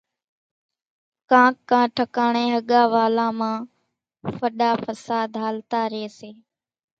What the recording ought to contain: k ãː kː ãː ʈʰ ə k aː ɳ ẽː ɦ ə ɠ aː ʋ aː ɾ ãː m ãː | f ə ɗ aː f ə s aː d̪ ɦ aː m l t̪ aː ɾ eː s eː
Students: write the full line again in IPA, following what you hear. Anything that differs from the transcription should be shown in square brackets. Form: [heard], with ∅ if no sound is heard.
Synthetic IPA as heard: k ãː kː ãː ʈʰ ə k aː ɳ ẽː ɦ ə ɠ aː ʋ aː [l] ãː m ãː | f ə ɗ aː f ə s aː d̪ ɦ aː [∅] l t̪ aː ɾ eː s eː